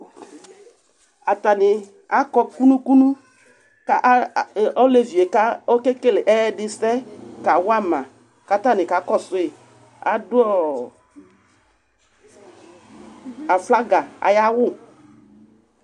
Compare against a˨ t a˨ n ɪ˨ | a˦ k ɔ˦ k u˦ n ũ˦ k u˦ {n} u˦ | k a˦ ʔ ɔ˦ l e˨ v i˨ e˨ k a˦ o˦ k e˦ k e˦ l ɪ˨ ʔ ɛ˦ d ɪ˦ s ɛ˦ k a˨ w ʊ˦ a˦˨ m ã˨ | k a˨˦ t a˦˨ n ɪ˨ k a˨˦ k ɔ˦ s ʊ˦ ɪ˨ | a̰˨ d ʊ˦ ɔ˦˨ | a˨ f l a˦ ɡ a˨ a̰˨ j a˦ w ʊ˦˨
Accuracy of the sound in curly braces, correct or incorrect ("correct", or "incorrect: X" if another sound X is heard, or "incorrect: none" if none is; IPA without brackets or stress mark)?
correct